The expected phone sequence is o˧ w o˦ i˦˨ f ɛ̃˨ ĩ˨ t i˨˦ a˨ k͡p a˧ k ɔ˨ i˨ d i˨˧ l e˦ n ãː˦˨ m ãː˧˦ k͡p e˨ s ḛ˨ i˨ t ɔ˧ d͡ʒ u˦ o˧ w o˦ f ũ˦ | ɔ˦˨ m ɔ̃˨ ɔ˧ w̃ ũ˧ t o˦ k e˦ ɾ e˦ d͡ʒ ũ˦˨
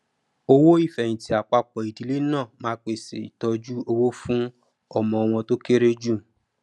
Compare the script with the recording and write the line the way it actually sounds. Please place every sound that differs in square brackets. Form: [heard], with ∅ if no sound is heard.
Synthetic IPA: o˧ w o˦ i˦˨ f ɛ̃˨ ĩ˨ t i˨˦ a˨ k͡p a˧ [k͡p] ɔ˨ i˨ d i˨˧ l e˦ n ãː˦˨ m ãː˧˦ k͡p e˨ s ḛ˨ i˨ t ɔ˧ d͡ʒ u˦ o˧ w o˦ f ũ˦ | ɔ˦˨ m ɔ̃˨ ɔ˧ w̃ [ɔ̃˧] t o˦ k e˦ ɾ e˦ d͡ʒ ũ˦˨